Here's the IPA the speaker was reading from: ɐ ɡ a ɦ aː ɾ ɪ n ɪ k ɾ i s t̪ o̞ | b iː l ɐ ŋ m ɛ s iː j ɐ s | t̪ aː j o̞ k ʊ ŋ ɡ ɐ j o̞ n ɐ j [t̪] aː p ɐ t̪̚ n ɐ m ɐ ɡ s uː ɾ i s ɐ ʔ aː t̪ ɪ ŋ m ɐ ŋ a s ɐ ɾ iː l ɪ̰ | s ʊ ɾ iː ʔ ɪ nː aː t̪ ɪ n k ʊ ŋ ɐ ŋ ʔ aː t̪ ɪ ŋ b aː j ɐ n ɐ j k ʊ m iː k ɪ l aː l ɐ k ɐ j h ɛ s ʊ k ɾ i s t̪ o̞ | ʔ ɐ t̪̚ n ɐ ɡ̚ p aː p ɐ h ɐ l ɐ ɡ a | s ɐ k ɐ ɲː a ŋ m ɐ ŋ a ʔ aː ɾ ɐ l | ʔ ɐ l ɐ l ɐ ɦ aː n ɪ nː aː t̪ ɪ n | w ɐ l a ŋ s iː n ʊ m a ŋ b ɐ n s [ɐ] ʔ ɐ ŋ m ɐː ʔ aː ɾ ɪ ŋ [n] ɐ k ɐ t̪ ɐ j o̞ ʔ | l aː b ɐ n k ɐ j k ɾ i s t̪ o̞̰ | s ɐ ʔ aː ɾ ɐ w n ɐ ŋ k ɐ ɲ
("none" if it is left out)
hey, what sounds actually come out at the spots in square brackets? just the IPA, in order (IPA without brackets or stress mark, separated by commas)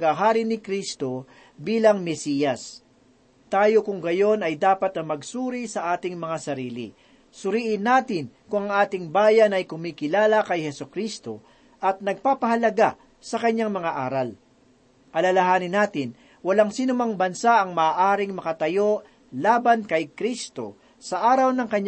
d̪, a, m